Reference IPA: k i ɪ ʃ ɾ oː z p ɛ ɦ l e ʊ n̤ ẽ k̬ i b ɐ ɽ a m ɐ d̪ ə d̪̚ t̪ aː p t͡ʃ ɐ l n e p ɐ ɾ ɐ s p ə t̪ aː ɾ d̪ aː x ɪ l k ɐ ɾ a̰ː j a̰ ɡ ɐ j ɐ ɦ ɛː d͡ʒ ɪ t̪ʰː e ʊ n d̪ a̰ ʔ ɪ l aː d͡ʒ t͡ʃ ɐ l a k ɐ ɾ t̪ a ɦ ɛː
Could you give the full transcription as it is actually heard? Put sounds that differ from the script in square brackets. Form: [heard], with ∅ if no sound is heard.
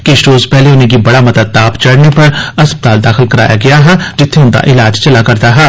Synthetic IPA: k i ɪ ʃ ɾ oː z p ɛ ɦ l e ʊ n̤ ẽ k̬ i b ɐ ɽ a m ɐ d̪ ə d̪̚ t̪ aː p t͡ʃ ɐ [ɽ] n e p ɐ ɾ ɐ s p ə t̪ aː [l] d̪ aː x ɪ l k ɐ ɾ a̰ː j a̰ ɡ ɐ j [a] ɦ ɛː d͡ʒ ɪ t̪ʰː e ʊ n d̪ a̰ ʔ ɪ l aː d͡ʒ t͡ʃ ɐ l a k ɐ ɾ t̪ a ɦ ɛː